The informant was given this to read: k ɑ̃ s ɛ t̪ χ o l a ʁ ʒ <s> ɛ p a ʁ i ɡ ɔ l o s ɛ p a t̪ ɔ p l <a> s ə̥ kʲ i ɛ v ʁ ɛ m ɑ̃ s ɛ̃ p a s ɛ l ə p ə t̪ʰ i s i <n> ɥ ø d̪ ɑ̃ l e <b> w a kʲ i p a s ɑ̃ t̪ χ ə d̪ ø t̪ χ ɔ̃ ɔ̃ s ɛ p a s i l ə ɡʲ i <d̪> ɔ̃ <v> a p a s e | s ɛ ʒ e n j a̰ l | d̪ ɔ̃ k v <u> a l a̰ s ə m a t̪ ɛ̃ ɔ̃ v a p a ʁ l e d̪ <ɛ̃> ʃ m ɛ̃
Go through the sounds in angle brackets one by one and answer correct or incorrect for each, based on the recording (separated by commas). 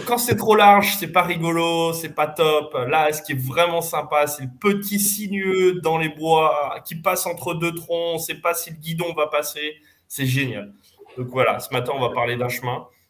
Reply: correct, correct, correct, correct, correct, correct, incorrect, correct